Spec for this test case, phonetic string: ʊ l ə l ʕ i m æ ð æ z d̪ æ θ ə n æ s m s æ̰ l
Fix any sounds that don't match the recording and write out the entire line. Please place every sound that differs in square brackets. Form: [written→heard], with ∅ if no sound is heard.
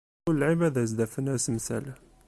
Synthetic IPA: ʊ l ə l ʕ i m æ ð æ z d̪ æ [θ→f] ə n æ s m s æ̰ l